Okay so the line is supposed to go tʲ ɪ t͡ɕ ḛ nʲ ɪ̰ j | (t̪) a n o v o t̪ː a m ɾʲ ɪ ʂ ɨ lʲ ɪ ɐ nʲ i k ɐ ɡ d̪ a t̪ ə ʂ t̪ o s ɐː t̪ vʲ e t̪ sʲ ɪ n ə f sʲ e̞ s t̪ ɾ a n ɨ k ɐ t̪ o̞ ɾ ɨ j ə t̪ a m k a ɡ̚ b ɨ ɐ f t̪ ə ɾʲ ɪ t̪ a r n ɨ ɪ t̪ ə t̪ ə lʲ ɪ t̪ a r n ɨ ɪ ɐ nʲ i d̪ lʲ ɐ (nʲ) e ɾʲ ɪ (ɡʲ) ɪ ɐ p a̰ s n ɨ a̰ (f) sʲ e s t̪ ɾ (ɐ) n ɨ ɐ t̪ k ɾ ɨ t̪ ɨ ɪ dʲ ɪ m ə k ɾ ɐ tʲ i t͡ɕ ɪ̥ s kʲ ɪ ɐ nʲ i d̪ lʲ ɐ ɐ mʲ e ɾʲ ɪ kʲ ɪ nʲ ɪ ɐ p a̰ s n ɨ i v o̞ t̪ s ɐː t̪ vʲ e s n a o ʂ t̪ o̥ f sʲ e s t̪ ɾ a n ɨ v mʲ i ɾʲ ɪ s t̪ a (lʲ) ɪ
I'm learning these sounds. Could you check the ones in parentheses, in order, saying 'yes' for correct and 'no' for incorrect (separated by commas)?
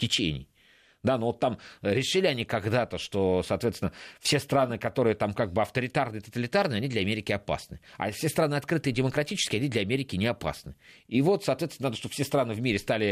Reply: no, no, no, yes, no, yes